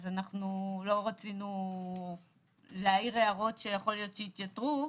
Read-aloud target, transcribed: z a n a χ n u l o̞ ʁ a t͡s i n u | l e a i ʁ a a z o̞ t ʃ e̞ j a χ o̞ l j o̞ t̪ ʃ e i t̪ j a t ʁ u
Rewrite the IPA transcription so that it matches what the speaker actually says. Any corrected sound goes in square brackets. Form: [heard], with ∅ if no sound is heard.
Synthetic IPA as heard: z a n a χ n u l o̞ ʁ a t͡s i n u | l e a i ʁ [e] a [ʁ] o̞ t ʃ e̞ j a χ o̞ l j o̞ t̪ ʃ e i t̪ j a t ʁ u